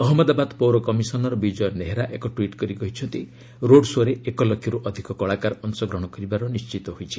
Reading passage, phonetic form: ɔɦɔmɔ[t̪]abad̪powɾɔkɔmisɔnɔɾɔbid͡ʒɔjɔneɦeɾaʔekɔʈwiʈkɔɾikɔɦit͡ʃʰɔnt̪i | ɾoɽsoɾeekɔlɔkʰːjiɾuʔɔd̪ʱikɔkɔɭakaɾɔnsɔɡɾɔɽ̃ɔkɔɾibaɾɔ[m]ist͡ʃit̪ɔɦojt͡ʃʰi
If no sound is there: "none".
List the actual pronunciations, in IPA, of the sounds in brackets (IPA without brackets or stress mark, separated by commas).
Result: d̪, n